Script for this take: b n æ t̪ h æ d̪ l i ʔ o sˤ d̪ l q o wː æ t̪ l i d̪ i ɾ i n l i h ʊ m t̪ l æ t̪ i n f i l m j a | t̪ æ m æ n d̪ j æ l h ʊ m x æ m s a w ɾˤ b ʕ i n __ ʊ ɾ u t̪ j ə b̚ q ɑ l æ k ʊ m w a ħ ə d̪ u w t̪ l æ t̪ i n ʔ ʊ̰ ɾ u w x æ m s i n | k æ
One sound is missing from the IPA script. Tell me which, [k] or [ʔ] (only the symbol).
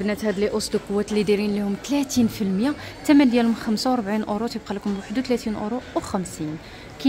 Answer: ʔ